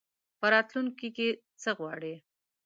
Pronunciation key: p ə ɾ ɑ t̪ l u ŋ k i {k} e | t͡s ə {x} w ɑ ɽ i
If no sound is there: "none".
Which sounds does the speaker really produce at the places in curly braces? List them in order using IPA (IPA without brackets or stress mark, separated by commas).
k, ɣ